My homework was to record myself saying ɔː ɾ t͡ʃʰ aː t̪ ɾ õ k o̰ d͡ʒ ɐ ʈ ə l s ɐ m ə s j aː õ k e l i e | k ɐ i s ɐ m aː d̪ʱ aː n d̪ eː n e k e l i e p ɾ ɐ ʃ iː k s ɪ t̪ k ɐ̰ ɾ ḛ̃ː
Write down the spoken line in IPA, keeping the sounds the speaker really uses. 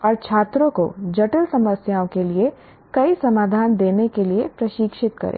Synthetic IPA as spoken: ɔː ɾ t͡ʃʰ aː t̪ ɾ õ k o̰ d͡ʒ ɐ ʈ ə l s ɐ m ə s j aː õ k e l i e | k ɐ i s ɐ m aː d̪ʱ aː n d̪ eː n e k e l i e p ɾ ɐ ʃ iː k ʃ ɪ t̪ k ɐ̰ ɾ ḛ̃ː